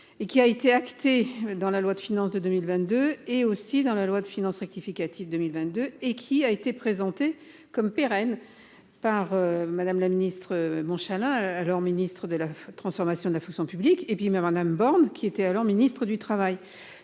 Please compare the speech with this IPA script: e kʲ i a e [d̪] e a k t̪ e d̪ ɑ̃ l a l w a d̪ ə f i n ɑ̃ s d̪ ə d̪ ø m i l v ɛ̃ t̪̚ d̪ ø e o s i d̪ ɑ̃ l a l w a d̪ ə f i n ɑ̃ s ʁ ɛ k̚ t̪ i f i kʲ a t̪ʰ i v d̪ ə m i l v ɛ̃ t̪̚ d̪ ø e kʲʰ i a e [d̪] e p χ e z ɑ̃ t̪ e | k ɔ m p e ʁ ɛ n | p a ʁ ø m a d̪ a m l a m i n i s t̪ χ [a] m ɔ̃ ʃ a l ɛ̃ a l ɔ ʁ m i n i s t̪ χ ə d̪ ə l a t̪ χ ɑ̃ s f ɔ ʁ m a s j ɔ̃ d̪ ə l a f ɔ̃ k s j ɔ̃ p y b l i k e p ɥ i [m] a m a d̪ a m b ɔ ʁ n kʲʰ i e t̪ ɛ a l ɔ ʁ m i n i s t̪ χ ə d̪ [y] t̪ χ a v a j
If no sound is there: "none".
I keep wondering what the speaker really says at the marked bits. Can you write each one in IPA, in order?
t̪, t̪, ə, m, y

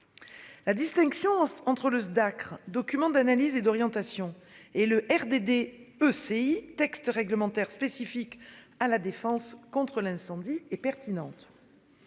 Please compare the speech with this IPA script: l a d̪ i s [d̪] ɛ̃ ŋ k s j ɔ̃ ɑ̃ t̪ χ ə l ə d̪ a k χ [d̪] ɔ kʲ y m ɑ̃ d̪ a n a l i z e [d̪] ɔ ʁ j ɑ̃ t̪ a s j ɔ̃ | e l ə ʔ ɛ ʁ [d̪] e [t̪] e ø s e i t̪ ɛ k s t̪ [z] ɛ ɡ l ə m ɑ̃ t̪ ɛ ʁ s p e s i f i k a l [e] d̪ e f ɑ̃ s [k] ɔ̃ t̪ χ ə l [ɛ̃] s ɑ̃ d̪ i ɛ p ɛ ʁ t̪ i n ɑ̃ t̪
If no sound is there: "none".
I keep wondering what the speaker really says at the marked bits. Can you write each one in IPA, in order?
t̪, d̪, d̪, d̪, d̪, ʁ, a, k, ɛ̃

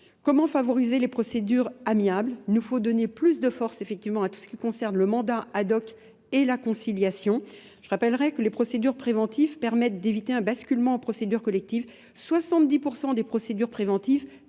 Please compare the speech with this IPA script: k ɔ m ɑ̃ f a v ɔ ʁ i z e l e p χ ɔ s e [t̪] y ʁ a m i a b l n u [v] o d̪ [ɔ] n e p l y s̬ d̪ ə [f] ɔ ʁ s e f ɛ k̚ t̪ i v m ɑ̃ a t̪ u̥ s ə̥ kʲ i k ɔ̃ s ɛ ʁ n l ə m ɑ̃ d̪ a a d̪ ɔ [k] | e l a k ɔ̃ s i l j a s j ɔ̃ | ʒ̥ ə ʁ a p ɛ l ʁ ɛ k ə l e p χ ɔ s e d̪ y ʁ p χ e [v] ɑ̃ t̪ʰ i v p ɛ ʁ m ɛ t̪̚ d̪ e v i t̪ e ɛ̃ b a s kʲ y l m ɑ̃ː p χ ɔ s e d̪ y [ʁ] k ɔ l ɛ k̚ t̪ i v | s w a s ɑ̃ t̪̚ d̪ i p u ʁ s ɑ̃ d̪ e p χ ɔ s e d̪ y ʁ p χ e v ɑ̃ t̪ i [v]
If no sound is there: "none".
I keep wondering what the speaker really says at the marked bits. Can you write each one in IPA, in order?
d̪, f, ɔ, f, k, v, ʁ, v

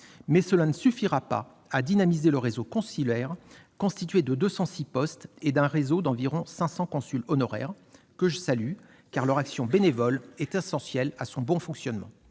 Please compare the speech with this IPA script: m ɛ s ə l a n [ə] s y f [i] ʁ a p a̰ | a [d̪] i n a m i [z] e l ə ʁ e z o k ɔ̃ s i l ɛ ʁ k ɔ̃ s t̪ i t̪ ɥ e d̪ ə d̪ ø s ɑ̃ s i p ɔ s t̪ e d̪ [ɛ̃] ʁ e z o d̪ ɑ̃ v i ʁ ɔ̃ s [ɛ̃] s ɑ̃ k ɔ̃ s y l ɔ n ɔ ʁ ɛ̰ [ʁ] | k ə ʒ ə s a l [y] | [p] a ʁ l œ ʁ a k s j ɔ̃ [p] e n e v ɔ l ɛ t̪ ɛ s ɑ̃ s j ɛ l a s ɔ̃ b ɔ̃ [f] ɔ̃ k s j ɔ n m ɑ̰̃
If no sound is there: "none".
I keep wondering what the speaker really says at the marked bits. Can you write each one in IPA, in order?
ə, i, d̪, z, ɛ̃, ɛ̃, ʁ, y, k, b, f

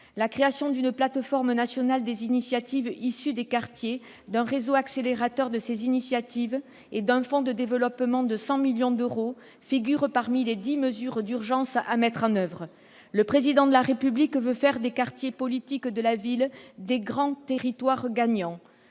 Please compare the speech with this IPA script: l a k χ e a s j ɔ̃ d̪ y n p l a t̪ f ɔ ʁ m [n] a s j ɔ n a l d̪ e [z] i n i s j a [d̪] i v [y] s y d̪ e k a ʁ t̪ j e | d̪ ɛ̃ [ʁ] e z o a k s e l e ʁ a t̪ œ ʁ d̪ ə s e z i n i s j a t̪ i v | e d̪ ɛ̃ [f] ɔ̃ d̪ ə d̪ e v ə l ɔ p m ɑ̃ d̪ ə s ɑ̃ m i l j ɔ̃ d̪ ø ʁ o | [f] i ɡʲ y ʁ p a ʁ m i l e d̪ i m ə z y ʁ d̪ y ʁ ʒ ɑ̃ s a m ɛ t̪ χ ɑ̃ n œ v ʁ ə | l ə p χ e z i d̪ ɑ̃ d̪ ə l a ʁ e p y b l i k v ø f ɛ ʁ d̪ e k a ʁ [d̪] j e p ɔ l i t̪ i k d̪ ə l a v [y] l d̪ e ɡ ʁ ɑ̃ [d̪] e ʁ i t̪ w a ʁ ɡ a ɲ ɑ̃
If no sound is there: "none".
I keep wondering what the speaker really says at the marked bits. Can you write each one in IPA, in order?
n, z, t̪, i, ʁ, f, f, t̪, i, t̪

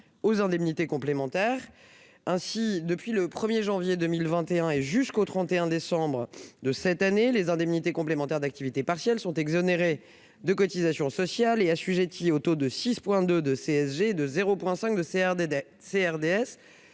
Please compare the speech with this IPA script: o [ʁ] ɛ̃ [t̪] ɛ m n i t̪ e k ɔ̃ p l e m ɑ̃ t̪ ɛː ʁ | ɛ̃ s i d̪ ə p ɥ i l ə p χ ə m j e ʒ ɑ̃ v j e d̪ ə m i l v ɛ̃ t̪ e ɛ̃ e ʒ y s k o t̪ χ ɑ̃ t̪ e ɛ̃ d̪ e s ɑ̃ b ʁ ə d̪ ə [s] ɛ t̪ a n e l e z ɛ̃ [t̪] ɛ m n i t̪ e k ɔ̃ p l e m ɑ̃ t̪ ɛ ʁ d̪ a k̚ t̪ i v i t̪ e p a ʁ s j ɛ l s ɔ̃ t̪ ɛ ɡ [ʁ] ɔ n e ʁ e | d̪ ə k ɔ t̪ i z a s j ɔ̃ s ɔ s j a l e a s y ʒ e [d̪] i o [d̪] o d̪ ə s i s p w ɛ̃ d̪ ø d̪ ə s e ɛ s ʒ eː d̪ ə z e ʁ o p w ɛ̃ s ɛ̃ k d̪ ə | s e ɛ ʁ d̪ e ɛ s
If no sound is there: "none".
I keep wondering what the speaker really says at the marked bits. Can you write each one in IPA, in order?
z, d̪, s, d̪, z, t̪, t̪

